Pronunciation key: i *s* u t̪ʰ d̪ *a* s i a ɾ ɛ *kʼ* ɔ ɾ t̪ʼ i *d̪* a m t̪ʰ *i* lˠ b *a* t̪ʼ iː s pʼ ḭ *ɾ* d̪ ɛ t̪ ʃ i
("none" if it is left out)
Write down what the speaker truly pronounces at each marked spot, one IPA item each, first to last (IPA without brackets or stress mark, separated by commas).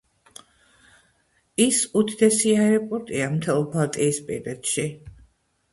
s, ɛ, pʼ, none, ɛ, a, ɾ